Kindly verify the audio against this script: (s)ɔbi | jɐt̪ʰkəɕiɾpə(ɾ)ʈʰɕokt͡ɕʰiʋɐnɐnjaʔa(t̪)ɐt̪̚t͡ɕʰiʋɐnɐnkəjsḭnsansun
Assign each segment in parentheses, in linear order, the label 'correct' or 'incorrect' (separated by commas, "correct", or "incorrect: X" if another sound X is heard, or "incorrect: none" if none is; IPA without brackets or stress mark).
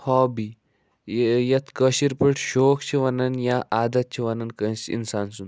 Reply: incorrect: h, incorrect: none, incorrect: d̪